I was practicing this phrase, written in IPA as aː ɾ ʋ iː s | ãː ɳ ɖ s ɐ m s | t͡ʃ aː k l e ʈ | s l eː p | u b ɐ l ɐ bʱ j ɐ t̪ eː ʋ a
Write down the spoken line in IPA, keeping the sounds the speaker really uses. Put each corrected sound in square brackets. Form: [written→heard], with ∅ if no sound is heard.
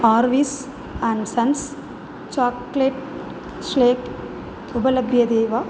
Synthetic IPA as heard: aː ɾ ʋ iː s | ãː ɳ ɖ s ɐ [m→n] s | t͡ʃ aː k l e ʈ | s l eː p | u b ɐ l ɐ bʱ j ɐ [t̪→d̪] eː ʋ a